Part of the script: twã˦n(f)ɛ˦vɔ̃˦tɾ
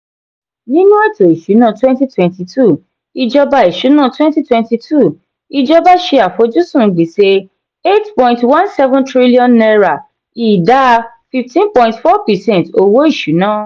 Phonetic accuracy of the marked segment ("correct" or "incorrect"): incorrect